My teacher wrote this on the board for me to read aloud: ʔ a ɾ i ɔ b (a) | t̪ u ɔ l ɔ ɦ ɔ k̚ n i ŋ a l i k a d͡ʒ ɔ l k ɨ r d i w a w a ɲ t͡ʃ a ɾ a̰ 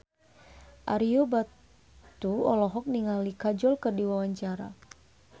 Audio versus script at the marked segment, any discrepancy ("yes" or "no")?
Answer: no